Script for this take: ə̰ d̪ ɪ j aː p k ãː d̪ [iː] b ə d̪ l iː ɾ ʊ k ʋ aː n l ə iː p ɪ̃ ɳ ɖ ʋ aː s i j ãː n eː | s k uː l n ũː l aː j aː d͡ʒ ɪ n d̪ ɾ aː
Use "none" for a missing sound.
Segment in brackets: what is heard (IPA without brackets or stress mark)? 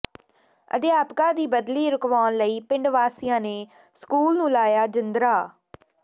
iː